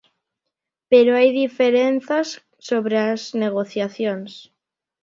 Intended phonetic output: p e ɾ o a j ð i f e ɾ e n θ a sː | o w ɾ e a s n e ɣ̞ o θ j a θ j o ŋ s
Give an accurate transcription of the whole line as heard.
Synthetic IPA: p e ɾ o a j ð i f e ɾ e n θ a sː | o β ɾ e a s n e ɣ̞ o θ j a θ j o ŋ s

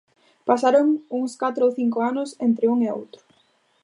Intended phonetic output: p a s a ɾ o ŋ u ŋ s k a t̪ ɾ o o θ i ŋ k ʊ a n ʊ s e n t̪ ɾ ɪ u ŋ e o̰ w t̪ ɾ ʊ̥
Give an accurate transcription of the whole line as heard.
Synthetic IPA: p a s a ɾ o ŋ u ŋ s k a t̪ ɾ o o θ i ŋ k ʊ a n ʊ s e n t̪ ɾ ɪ u ŋ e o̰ w t̪ ɾ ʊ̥

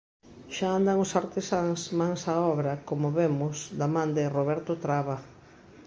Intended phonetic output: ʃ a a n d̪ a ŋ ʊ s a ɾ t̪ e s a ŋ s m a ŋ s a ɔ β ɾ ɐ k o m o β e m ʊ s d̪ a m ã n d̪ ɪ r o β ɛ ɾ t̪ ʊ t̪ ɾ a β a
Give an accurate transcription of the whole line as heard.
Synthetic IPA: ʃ a a n d̪ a ŋ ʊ s a ɾ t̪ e s a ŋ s m a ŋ s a ɔ β ɾ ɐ k o m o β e m ʊ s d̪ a m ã n d̪ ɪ r o β ɛ ɾ t̪ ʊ t̪ ɾ a β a

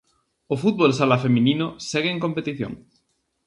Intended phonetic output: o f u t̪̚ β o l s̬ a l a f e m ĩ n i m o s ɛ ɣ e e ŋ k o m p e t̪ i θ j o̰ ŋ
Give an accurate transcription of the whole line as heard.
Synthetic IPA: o f u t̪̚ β o l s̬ a l a f e m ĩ n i n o s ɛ ɣ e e ŋ k o m p e t̪ i θ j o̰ ŋ

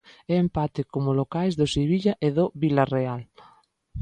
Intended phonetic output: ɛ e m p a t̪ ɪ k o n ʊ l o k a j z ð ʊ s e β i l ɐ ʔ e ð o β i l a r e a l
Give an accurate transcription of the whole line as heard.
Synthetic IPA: ɛ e m p a t̪ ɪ k o m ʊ l o k a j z ð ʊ s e β i ʎ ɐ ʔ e ð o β i l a r e a l

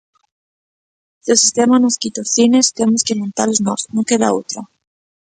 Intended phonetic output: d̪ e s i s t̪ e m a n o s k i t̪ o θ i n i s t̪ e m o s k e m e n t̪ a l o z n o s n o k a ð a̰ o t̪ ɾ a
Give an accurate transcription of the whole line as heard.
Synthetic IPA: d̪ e s i s t̪ e m a n o s k i t̪ o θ i n e s t̪ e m o s k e m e n t̪ a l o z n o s n o k e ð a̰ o t̪ ɾ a

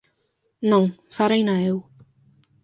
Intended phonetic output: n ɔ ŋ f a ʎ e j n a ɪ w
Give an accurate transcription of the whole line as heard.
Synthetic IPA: n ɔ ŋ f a ɾ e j n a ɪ w

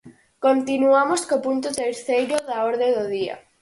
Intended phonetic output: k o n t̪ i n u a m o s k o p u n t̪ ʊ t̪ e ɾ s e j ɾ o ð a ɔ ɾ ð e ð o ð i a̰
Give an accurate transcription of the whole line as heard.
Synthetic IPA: k o n t̪ i n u a m o s k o p u n t̪ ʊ t̪ e ɾ θ e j ɾ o ð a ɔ ɾ ð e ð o ð i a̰

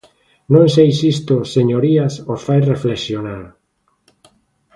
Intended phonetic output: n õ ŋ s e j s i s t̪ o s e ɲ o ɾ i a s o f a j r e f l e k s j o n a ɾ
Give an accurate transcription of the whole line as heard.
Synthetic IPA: n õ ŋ s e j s i s t̪ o s e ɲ o ɾ i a s o f a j r e f l e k s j o n a ɾ

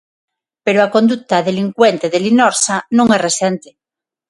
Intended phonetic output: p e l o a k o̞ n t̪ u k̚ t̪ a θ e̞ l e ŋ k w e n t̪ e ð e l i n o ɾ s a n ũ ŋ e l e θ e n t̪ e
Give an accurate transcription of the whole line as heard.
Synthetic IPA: p e ɾ o a k o̞ n d̪ u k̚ t̪ a ð e̞ l i ŋ k w e n t̪ e ð e l i n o ɾ s a n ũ ŋ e r e s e n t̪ e

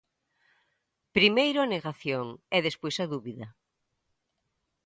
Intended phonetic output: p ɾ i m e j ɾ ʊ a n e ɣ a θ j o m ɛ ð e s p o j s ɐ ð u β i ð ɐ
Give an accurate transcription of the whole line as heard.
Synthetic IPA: p ɾ i m e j ɾ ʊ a n e ɣ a θ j o ŋ ɛ ð e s p o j s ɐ ð u β i ð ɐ

